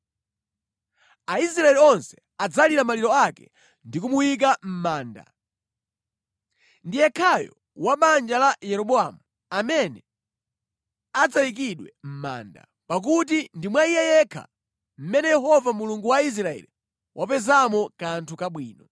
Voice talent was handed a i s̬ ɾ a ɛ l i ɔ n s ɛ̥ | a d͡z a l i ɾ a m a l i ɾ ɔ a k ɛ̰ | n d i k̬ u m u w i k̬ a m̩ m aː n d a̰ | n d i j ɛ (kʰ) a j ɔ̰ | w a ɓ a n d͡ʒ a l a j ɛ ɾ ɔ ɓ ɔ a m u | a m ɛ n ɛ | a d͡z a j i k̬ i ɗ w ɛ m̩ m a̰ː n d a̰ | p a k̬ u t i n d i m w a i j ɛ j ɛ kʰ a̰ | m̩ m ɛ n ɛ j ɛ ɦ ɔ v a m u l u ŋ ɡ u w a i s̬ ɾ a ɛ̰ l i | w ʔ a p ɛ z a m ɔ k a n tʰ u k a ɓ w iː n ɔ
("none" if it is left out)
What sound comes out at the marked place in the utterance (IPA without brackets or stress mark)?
kʰ